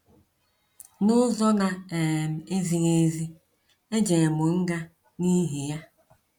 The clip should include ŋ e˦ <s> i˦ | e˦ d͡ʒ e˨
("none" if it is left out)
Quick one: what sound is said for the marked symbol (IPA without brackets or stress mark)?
z